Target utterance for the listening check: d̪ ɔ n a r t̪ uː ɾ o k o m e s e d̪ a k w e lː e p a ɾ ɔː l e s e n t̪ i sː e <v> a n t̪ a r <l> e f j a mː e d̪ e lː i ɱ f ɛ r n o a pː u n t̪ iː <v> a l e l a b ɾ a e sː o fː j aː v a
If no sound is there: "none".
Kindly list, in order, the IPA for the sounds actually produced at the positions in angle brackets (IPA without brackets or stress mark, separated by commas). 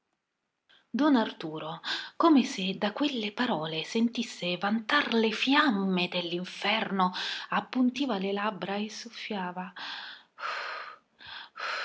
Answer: v, l, v